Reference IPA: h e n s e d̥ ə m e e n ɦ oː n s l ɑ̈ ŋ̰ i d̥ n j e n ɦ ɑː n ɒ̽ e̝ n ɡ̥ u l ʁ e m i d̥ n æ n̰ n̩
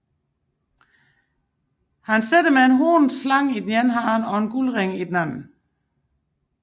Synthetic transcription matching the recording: h æ n s e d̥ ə m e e n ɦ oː n s l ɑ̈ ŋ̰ i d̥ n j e n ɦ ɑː n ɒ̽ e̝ n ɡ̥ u l ʁ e ŋ i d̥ n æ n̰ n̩